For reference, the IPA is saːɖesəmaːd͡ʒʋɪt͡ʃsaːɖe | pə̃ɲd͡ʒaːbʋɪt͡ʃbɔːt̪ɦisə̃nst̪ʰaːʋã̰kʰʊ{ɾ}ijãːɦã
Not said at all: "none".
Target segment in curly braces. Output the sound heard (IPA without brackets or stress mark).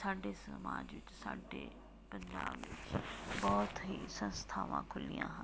l